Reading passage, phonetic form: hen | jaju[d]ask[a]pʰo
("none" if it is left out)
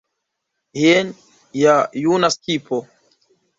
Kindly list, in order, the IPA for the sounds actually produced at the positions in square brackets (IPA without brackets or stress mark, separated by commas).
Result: n, i